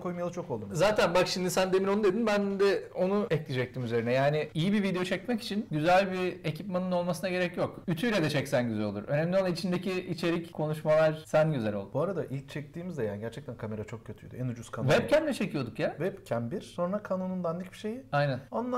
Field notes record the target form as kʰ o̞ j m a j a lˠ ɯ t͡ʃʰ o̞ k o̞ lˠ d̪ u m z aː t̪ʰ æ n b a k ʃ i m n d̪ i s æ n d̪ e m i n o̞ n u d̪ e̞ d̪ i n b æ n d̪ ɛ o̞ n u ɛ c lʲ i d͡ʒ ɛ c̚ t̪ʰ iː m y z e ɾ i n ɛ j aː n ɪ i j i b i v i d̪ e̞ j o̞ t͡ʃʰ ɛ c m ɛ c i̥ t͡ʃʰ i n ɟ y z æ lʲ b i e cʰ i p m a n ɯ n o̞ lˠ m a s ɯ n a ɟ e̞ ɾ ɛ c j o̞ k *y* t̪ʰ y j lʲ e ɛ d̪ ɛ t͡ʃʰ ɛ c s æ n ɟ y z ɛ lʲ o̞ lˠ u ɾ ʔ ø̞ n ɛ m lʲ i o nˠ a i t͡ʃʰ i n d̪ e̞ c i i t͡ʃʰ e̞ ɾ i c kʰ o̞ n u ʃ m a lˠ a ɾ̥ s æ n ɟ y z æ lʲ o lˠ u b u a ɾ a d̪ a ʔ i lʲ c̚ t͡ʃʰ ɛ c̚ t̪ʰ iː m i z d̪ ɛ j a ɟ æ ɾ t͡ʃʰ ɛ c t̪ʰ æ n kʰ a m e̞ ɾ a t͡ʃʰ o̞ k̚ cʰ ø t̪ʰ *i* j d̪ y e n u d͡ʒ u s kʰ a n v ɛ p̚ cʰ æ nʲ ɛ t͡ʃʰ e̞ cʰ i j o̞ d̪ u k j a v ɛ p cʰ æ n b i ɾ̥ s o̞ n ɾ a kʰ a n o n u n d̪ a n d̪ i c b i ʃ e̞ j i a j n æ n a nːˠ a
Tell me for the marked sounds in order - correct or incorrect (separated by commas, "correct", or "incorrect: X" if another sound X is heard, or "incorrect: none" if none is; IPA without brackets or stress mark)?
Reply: correct, incorrect: y